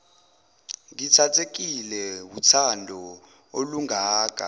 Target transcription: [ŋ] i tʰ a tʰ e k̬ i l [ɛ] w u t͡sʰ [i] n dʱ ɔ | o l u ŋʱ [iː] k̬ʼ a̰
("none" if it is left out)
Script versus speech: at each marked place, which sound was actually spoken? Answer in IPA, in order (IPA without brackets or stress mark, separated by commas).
ŋ, ɛ, a, aː